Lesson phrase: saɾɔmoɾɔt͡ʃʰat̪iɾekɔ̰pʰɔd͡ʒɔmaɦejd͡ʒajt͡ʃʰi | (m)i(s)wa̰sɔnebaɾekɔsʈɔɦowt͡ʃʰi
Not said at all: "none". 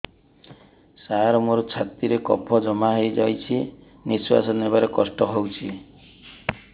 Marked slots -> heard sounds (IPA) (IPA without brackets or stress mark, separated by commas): n, s